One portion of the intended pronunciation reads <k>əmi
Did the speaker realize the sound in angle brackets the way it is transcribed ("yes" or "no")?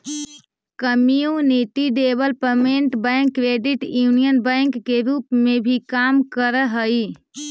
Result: yes